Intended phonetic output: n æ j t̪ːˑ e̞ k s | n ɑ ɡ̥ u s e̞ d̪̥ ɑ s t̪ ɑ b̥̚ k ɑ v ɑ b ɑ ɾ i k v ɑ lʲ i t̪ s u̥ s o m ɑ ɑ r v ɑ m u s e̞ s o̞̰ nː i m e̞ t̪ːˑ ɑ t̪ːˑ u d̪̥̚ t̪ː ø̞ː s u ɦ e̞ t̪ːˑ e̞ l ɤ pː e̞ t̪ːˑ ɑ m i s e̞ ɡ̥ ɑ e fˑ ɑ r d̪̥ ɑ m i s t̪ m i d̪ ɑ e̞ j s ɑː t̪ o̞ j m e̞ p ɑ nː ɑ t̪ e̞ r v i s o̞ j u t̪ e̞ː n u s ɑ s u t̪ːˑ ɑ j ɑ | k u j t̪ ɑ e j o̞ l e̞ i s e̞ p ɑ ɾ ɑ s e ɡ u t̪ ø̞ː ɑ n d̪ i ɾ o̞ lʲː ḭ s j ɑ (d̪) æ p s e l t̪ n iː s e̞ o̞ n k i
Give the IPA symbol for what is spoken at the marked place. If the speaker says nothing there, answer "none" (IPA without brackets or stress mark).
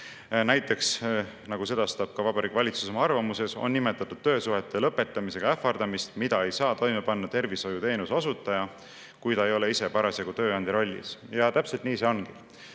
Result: t̪